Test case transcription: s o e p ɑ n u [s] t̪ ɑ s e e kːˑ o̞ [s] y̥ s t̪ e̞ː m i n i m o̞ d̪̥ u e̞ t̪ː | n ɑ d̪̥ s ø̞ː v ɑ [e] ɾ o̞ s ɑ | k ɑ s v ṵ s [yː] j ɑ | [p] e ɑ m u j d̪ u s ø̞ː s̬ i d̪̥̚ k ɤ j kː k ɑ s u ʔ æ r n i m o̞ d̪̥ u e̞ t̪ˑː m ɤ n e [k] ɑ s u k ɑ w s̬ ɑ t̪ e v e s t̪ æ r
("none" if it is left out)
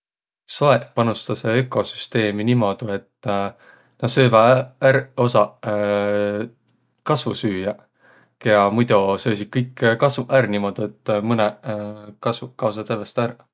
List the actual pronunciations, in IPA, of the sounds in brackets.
s, s, æ, yː, k, k

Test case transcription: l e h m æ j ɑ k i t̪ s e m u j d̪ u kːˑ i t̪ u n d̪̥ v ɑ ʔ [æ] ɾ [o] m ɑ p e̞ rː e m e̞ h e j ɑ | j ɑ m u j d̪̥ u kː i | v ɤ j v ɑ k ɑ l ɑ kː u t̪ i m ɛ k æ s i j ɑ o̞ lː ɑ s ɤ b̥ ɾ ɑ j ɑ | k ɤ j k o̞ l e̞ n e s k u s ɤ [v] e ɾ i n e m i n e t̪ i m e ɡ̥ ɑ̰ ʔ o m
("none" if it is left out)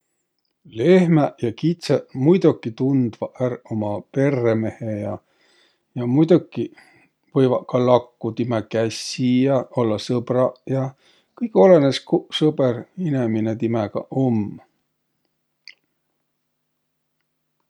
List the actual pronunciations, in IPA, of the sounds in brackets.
æ, o, b

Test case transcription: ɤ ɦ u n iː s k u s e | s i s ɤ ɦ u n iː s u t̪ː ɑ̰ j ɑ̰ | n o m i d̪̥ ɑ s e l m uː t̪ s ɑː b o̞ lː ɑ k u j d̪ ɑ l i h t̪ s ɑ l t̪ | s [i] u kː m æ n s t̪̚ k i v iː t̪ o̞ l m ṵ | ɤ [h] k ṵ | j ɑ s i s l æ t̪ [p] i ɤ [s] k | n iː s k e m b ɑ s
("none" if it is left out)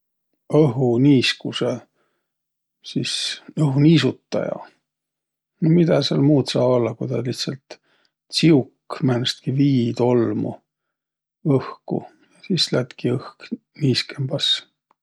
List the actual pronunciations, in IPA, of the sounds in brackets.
i, h, k, h

